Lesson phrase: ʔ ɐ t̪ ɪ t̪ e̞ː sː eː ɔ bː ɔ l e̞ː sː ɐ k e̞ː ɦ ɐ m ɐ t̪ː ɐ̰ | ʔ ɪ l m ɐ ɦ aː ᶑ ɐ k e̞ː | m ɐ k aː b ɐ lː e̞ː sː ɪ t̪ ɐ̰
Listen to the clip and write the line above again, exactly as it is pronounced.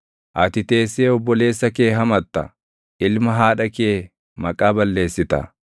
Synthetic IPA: ʔ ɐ t̪ ɪ t̪ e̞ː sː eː ɔ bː ɔ l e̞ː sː ɐ k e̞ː ɦ ɐ m ɐ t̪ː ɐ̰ | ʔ ɪ l m ɐ ɦ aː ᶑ ɐ k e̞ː | m ɐ kʼ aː b ɐ lː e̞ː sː ɪ t̪ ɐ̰